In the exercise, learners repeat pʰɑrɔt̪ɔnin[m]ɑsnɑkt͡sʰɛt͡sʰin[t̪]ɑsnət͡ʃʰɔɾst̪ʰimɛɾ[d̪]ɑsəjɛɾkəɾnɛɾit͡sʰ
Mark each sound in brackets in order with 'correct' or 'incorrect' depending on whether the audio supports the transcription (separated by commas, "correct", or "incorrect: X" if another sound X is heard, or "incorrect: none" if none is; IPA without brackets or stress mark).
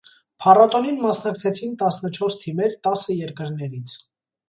correct, correct, incorrect: t̪